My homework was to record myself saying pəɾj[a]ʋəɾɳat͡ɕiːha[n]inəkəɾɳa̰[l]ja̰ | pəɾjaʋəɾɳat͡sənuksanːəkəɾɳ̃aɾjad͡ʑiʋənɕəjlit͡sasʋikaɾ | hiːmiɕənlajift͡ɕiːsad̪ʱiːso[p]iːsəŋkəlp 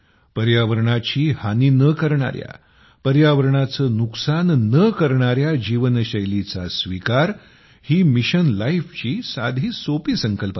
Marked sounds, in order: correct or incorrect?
correct, correct, incorrect, correct

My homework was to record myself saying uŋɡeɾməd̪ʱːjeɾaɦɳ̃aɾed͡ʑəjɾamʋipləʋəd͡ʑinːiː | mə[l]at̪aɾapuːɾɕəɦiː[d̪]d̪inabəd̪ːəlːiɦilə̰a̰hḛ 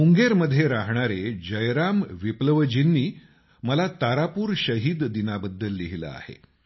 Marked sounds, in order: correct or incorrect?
correct, correct

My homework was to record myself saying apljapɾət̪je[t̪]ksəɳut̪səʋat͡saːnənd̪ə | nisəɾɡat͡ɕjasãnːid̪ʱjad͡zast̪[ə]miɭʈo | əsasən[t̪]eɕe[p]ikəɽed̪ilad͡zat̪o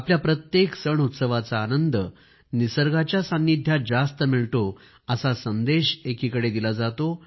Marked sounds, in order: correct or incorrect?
incorrect, correct, incorrect, incorrect

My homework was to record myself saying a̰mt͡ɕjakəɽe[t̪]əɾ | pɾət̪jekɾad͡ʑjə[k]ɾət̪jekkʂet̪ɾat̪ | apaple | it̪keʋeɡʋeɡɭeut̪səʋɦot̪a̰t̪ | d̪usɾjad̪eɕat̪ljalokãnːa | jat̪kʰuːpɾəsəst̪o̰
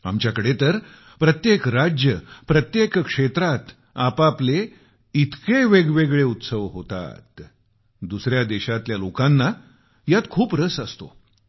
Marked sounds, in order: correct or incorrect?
correct, incorrect

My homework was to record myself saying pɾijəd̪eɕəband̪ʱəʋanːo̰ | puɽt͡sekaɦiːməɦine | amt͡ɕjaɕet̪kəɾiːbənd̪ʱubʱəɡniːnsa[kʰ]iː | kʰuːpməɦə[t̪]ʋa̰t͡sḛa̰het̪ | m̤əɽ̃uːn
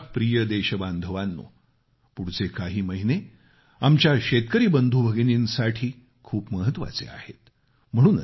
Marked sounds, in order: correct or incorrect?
incorrect, correct

